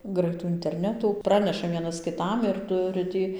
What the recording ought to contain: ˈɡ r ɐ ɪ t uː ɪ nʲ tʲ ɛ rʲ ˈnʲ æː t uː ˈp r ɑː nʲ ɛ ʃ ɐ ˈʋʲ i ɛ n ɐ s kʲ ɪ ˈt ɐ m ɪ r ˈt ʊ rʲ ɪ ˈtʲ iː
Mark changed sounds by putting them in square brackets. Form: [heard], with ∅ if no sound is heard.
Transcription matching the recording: ˈɡ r ɐ ɪ t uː ɪ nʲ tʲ ɛ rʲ ˈnʲ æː t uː ˈp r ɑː nʲ ɛ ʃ ɐ ˈʋʲ i ɛ n ɐ s kʲ ɪ ˈt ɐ m ɪ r ˈt ʊ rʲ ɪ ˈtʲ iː